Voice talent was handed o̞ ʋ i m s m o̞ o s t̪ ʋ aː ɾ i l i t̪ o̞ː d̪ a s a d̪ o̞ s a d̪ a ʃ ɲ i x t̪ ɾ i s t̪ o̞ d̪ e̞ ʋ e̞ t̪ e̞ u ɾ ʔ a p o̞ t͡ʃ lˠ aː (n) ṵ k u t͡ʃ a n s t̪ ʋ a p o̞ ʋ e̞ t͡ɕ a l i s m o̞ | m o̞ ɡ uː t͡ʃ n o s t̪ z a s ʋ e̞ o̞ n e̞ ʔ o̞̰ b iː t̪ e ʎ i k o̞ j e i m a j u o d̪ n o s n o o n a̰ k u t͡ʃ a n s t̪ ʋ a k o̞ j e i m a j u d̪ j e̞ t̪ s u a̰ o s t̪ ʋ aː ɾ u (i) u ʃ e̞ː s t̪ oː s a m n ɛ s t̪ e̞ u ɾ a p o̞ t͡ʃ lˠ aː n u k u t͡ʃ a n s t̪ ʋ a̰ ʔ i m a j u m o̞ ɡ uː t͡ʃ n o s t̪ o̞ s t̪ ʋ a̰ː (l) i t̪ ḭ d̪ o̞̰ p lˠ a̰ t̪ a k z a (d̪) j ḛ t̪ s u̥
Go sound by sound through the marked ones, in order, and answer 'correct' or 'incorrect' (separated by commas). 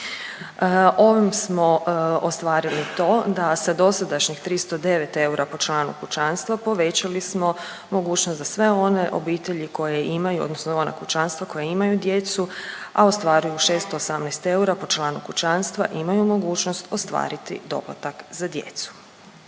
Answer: correct, incorrect, incorrect, correct